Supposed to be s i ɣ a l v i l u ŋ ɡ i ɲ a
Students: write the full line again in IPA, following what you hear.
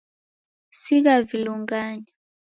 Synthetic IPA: s i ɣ a v i l u ŋ ɡ a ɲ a